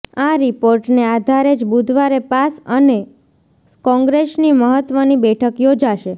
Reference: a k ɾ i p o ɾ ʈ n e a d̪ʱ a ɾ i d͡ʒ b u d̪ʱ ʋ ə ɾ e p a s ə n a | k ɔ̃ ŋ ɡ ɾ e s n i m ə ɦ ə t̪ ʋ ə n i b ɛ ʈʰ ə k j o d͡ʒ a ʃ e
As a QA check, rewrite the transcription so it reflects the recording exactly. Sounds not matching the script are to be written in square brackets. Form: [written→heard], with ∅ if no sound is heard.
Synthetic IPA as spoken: a [k→∅] ɾ i p o ɾ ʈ n e a d̪ʱ a ɾ [i→e] d͡ʒ b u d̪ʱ ʋ [ə→a] ɾ e p a s ə n [a→e] | k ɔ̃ ŋ ɡ ɾ e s n i m ə ɦ ə t̪ ʋ ə n i b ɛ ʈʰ ə k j o d͡ʒ a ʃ e

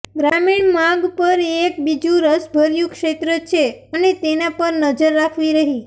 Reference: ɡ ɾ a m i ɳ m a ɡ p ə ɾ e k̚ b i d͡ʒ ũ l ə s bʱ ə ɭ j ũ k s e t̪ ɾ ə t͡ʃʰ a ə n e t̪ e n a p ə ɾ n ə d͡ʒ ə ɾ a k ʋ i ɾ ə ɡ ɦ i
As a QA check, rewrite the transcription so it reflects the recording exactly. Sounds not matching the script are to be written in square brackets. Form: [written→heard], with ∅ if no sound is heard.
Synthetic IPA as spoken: ɡ ɾ a m i ɳ m a ɡ p ə ɾ e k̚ b i d͡ʒ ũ [l→ɾ] ə s bʱ ə [ɭ→ɾ] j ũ k [s→ʃ] e t̪ ɾ ə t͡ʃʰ [a→e] ə n e t̪ e n a p ə ɾ n ə d͡ʒ ə [ɾ→ɾː] a [k→kʰ] ʋ i ɾ ə [ɡ→∅] ɦ i

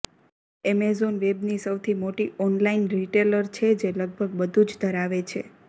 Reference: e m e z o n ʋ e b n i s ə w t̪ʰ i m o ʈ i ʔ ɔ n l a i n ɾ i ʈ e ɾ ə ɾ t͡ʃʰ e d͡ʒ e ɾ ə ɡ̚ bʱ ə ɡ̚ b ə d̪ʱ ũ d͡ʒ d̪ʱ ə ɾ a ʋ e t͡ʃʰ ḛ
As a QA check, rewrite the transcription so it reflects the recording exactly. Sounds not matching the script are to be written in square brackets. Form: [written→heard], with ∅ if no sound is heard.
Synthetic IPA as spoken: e m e z o n ʋ e b n i s ə w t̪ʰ i m o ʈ i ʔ ɔ n l a i n ɾ i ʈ e [ɾ→l] ə ɾ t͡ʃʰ e d͡ʒ e [ɾ→l] ə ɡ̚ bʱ ə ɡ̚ b ə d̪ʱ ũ d͡ʒ d̪ʱ ə ɾ a ʋ e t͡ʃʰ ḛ

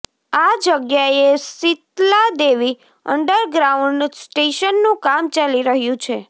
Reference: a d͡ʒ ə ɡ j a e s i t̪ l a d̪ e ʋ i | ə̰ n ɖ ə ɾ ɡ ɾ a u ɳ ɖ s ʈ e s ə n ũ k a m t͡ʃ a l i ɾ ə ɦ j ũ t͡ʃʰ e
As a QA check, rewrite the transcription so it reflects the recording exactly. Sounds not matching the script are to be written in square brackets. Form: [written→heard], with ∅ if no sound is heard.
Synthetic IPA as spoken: a d͡ʒ ə ɡ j a e s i t̪ l a d̪ e ʋ i | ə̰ [n→ɳ] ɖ ə ɾ ɡ ɾ a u ɳ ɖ s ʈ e [s→ʃ] ə [n→nː] ũ k a m t͡ʃ a l i ɾ ə ɦ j ũ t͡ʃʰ e

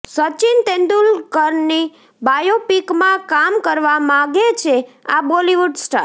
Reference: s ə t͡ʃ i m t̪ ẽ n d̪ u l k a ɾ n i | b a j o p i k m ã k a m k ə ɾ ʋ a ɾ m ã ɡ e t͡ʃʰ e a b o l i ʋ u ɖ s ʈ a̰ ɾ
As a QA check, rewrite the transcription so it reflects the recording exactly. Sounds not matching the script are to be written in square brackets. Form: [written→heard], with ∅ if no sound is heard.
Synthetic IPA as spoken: s ə t͡ʃ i [m→n] t̪ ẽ n d̪ u l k [a→ə] ɾ n i | b a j o p i k m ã k a m k ə ɾ ʋ a [ɾ→∅] m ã ɡ e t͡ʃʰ e a b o l i ʋ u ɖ s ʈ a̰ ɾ

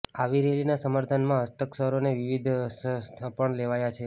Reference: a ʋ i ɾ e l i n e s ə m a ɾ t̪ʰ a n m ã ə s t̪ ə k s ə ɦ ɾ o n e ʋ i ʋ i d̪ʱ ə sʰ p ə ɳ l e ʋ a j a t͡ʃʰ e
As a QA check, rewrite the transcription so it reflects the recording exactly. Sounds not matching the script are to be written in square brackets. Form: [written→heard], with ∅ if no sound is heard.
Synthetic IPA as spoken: a ʋ i ɾ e l i n [e→a] s ə m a ɾ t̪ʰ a n m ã ə s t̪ ə k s ə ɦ ɾ o n e ʋ i ʋ i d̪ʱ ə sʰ p ə ɳ l e ʋ a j a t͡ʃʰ e

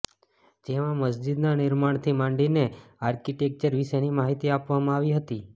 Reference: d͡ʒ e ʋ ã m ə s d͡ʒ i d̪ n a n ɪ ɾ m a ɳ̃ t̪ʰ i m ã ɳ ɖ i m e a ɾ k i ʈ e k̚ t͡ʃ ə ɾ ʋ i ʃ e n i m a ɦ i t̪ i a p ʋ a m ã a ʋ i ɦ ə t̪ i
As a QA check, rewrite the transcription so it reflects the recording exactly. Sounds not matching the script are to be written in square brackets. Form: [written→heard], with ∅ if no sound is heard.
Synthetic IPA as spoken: d͡ʒ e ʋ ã m ə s d͡ʒ i d̪ n a n ɪ ɾ m a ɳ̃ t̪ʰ i m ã ɳ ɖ i [m→n] e a ɾ k i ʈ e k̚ t͡ʃ ə ɾ ʋ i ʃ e n i m a ɦ i t̪ i a p ʋ a m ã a ʋ i ɦ ə t̪ i

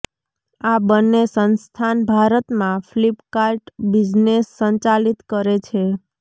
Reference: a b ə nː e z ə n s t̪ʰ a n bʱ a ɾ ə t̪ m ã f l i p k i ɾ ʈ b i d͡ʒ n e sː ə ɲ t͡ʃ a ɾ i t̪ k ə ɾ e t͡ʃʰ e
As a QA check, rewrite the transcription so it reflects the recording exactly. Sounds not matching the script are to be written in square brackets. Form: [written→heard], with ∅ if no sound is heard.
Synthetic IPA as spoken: a b ə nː e [z→s] ə n s t̪ʰ a n bʱ a ɾ ə t̪ m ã f l i p k [i→a] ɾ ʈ b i d͡ʒ n e sː ə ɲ t͡ʃ a [ɾ→l] i t̪ k ə ɾ e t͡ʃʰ e

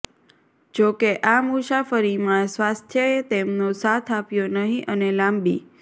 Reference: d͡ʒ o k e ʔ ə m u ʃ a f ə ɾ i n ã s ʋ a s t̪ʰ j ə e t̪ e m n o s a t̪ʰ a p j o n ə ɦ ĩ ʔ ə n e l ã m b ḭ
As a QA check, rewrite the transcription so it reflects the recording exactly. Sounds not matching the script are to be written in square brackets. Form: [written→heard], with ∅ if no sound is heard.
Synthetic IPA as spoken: d͡ʒ o k e ʔ [ə→a] m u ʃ a f ə ɾ i [n→m] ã s ʋ a s t̪ʰ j ə e t̪ e m n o s a t̪ʰ a p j o n ə ɦ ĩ ʔ ə n e l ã m b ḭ

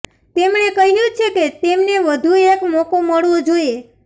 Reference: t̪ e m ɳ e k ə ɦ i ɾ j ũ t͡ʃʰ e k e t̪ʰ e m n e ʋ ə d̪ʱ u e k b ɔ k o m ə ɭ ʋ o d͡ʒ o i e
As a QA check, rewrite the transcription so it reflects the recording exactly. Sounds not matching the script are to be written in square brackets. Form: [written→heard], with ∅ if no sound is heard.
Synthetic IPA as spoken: t̪ e m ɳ e k ə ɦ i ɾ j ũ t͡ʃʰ e k e [t̪ʰ→t̪] e m n e ʋ ə d̪ʱ u e k [b→m] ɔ k o m ə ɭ ʋ o d͡ʒ o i e

